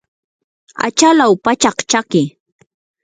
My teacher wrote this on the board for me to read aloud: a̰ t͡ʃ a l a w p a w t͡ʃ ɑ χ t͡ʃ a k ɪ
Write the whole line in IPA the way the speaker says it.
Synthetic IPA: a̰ t͡ʃ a l a w p a t͡ʃ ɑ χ t͡ʃ a k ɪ